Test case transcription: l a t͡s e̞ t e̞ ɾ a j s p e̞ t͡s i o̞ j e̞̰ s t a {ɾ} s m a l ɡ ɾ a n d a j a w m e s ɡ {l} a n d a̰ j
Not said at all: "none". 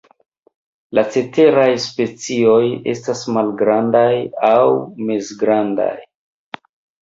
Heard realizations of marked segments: none, ɾ

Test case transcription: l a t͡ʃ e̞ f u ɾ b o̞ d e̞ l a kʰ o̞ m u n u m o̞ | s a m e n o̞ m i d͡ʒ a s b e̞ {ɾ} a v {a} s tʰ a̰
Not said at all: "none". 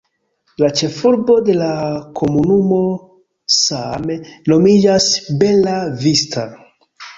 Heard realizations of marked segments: l, i

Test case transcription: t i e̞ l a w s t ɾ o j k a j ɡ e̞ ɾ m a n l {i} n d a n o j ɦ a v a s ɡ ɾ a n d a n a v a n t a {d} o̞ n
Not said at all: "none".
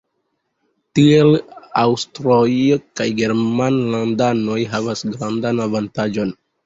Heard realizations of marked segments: a, d͡ʒ

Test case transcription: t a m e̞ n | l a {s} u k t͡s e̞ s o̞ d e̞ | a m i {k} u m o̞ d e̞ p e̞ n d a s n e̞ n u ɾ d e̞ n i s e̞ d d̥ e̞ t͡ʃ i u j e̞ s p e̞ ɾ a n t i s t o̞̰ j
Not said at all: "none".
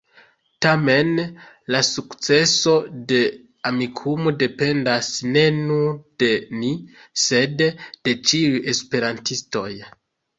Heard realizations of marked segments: s, kʰ

